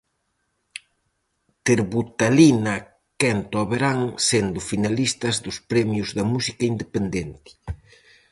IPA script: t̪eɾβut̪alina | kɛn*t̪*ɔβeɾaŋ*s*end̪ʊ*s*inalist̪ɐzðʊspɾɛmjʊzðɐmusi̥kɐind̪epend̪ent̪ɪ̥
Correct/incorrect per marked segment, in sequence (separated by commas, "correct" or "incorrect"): correct, correct, incorrect